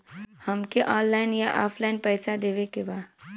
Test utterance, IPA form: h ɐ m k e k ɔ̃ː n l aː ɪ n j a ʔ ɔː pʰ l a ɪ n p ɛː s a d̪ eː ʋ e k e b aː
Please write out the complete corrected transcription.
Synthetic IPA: h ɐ m k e ʔ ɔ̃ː n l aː ɪ n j a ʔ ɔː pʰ l a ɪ n p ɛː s a d̪ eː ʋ e k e b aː